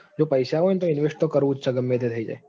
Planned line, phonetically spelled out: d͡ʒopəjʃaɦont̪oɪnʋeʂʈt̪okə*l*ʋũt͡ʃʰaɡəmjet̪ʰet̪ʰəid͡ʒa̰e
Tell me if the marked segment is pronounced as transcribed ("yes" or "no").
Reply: no